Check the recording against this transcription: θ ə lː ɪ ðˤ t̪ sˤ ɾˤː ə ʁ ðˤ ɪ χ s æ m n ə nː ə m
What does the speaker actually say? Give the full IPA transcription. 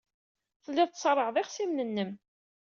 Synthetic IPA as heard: θ ə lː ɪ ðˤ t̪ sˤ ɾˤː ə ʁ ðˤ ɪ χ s i m n ə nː ə m